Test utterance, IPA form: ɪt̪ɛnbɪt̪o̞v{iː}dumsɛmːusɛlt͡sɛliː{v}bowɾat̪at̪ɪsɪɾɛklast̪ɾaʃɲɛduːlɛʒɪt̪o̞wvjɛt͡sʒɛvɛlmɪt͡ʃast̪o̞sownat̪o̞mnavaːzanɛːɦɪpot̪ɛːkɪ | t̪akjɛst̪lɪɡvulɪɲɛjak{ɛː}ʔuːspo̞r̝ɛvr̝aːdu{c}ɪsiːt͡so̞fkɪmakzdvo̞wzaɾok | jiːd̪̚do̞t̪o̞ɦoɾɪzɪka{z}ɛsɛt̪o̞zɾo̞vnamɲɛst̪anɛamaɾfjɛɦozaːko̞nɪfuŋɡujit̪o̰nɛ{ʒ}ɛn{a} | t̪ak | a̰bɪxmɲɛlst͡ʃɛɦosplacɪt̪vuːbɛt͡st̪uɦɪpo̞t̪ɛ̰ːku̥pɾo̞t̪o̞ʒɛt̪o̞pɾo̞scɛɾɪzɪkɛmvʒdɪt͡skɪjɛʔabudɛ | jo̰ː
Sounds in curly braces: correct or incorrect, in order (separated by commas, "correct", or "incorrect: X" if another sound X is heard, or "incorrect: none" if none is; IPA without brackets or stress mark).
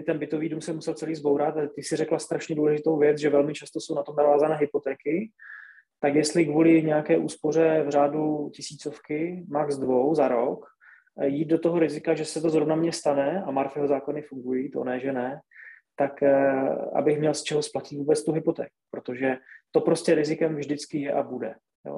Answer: correct, incorrect: z, correct, correct, incorrect: ʒ, correct, incorrect: ɛ